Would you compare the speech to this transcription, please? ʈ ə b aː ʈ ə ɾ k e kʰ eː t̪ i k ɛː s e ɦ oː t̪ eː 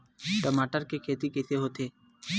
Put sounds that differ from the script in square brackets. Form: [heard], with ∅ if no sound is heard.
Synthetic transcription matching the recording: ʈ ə [m] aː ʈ ə ɾ k e kʰ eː t̪ i k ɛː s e ɦ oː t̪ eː